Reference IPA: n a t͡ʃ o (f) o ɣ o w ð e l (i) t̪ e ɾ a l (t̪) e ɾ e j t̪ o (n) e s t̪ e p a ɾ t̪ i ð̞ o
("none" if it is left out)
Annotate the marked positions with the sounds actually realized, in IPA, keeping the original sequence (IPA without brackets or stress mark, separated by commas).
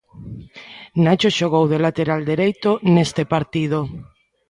ʃ, a, d̪, n